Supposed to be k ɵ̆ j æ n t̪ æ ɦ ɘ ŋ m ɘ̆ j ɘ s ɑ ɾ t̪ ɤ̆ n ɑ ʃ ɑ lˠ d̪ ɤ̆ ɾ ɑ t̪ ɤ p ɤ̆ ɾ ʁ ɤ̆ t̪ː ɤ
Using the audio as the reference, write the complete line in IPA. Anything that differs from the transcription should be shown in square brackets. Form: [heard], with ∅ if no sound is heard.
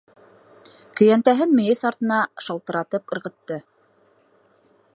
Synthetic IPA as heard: k ɵ̆ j æ n t̪ æ ɦ ɘ [n] m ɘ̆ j ɘ s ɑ ɾ t̪ ɤ̆ n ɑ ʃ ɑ lˠ [t̪] ɤ̆ ɾ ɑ t̪ ɤ p ɤ̆ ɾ ʁ ɤ̆ t̪ː ɤ

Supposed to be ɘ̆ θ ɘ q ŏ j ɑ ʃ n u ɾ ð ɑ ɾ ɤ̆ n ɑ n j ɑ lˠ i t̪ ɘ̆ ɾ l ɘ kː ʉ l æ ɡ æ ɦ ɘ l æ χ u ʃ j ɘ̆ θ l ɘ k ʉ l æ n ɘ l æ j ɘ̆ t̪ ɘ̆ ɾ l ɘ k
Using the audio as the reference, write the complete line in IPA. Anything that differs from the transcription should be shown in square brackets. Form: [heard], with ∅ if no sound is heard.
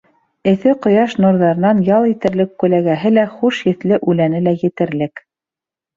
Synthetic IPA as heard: ɘ̆ θ ɘ q ŏ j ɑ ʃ n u ɾ ð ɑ ɾ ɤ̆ n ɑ n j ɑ lˠ i t̪ ɘ̆ ɾ l ɘ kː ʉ l æ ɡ æ ɦ ɘ l æ χ u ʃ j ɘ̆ θ l ɘ [ʔ] ʉ l æ n ɘ l æ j ɘ̆ t̪ ɘ̆ ɾ l ɘ k

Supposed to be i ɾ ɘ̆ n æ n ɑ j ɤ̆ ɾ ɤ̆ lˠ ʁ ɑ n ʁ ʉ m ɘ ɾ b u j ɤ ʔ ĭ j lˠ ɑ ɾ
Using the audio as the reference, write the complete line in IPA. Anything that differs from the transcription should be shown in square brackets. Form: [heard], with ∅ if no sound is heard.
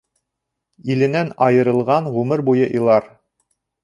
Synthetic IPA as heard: i [l] ɘ̆ n æ n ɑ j ɤ̆ ɾ ɤ̆ lˠ ʁ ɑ n ʁ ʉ m ɘ ɾ b u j ɤ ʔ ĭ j lˠ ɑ ɾ

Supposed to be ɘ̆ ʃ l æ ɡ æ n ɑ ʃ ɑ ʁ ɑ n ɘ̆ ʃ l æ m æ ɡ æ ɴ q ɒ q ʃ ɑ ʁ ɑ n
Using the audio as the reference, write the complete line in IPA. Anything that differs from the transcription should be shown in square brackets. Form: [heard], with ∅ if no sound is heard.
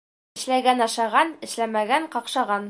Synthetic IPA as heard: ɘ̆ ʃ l æ ɡ æ n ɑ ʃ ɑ ʁ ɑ n ɘ̆ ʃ l æ m æ ɡ æ ɴ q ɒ q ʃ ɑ ʁ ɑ n

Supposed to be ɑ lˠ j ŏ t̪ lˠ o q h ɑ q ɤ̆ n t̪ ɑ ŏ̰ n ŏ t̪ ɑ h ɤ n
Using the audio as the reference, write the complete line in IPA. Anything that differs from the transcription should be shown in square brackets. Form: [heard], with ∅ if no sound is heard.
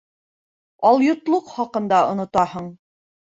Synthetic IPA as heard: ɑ lˠ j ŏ t̪ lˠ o q [χ] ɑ q ɤ̆ n [d̪] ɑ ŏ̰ n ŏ t̪ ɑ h ɤ [ɴ]

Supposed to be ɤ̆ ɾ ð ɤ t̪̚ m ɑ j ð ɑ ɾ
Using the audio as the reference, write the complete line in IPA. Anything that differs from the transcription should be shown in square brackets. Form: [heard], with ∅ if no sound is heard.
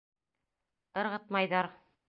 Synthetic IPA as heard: ɤ̆ ɾ [ʁ] ɤ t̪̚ m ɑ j ð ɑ ɾ

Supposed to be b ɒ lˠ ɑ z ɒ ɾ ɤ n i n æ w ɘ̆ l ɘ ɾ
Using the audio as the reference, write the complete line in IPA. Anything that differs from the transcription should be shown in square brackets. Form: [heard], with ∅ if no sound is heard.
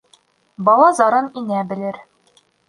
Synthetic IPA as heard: b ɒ lˠ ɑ z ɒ ɾ ɤ n i n æ [b] ɘ̆ l ɘ ɾ

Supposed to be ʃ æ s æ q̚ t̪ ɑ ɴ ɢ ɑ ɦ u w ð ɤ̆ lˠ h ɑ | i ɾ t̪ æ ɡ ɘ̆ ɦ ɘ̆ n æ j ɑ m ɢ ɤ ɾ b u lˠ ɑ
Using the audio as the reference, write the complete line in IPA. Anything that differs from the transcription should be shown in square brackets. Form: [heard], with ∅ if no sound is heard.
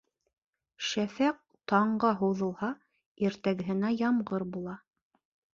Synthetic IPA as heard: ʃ æ [f] æ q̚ t̪ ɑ ɴ ɢ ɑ ɦ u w ð ɤ̆ lˠ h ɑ | i ɾ t̪ æ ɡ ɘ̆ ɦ ɘ̆ n æ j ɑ m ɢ ɤ ɾ b u lˠ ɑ

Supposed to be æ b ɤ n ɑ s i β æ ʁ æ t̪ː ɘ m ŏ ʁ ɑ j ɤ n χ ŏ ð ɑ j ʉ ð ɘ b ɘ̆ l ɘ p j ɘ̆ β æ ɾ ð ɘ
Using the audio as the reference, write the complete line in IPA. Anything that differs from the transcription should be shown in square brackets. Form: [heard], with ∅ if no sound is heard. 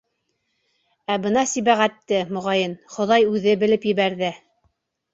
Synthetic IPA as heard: æ b ɤ n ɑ s i β æ ʁ æ t̪ː ɘ m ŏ ʁ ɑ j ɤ n χ ŏ ð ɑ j ʉ ð ɘ b ɘ̆ l ɘ p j ɘ̆ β æ ɾ ð ɘ

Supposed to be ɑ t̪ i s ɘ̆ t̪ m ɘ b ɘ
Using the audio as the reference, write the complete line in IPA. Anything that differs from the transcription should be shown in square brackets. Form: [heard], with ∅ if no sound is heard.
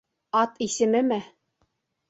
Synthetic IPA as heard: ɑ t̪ i s ɘ̆ [∅] m ɘ [m] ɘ

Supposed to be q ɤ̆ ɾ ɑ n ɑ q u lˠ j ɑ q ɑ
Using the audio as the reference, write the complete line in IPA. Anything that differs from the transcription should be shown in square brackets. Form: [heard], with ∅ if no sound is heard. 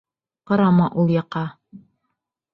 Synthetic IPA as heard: q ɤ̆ ɾ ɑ [m] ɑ [ʔ] u lˠ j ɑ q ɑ

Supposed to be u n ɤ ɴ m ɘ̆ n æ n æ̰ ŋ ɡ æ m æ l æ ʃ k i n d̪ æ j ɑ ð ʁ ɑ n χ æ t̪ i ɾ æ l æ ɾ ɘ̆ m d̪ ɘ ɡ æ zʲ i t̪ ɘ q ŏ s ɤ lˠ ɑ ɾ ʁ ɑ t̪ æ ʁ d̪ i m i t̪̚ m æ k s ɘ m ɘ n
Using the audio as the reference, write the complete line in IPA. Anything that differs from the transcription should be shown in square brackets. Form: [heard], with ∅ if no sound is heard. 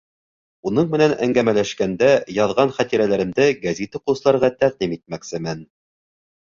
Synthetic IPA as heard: u n ɤ ɴ m ɘ̆ n æ n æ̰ ŋ ɡ æ m æ l æ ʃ k [æ] n d̪ æ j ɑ ð ʁ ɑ n χ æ t̪ i ɾ æ l æ ɾ ɘ̆ m d̪ ɘ ɡ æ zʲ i t̪ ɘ q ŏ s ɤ lˠ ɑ ɾ ʁ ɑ t̪ æ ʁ d̪ i m i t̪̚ m æ k s ɘ m ɘ n

